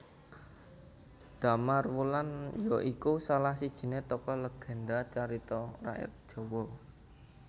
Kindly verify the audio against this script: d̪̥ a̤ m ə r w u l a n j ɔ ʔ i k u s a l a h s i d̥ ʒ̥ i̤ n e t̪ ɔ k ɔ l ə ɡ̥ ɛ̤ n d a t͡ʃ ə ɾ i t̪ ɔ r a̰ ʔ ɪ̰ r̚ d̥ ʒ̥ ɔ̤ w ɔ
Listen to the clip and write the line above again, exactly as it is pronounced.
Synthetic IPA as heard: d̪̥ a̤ m a r w u l a n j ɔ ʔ i k u s a l a h s i d̥ ʒ̥ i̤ n e t̪ ɔ k ɔ l ə ɡ̥ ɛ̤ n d a t͡ʃ a ɾ i t̪ ɔ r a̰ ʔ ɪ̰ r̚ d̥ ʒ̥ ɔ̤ w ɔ